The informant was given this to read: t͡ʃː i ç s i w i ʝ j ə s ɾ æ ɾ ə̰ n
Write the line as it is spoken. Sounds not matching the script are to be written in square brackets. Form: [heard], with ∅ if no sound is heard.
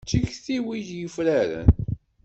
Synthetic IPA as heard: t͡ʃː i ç [θ] i w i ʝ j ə [f] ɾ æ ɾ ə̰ n